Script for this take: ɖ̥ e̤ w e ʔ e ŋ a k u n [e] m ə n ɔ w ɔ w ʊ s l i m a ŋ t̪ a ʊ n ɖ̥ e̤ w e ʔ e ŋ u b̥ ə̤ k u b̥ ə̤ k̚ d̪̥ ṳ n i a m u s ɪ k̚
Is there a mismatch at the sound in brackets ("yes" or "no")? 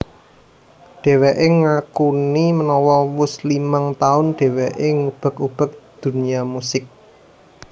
yes